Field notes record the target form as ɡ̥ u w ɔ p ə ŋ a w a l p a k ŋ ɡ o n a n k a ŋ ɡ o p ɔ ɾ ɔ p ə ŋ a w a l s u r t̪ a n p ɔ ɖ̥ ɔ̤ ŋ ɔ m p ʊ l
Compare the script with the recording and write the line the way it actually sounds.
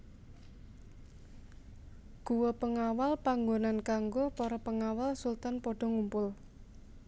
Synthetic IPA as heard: ɡ̥ u w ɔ p ə ŋ a w a l p a ŋ ɡ o n a n k a ŋ ɡ o p ɔ ɾ ɔ p ə ŋ a w a l s u l t̪ a n p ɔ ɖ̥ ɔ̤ ŋ u m p ʊ l

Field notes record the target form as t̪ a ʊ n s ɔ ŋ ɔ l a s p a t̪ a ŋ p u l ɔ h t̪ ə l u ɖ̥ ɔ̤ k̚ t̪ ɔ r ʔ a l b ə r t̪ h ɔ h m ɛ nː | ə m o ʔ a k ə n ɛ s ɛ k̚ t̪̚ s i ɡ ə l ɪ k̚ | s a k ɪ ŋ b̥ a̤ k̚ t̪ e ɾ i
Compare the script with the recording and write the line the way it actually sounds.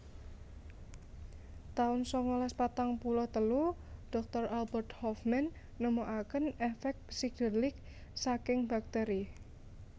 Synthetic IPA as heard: t̪ a ʊ n s ɔ ŋ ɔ l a s p a t̪ a ŋ p u l ɔ h t̪ ə l u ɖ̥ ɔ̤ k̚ t̪ ɔ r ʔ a l b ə r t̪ h ɔ f m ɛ nː | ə m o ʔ a k ə n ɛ f ɛ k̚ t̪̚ s i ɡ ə l ɪ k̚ | s a k ɪ ŋ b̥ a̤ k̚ t̪ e ɾ i

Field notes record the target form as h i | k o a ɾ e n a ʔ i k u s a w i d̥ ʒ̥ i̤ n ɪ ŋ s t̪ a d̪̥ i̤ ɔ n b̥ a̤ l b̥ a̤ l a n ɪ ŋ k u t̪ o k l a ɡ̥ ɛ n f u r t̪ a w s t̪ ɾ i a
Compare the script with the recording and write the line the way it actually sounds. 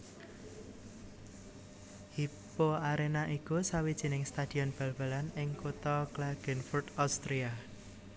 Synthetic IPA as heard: h i | p o a ɾ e n a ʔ i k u s a w i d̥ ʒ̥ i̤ n ɪ ŋ s t̪ a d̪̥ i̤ ɔ n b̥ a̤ l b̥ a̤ l a n ɪ ŋ k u t̪ ɔ k l a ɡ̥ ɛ n f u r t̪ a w s t̪ ɾ i a

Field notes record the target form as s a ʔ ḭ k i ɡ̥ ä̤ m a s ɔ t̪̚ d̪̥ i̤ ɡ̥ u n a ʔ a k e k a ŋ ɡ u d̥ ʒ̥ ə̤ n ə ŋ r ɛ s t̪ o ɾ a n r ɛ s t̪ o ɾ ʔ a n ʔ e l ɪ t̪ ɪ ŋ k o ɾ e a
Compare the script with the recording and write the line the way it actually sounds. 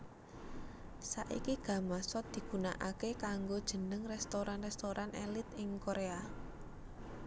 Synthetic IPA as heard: s a ʔ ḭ k i ɡ̥ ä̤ m a s ɔ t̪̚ d̪̥ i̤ ɡ̥ u n a ʔ a k e k a ŋ ɡ o d̥ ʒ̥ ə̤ n ə ŋ r ɛ s t̪ o ɾ a n r ɛ s t̪ o ɾ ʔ a n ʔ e l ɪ t̪ ɪ ŋ k o ɾ e a

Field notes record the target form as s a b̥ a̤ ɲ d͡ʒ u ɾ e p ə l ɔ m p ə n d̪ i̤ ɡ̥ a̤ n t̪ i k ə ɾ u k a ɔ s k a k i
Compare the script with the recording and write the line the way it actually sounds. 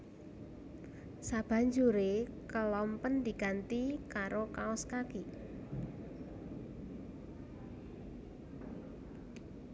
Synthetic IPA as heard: s a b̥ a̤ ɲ d͡ʒ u ɾ e k ə l ɔ m p ə n d̪ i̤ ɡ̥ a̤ n t̪ i k a ɾ o k a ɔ s k a k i

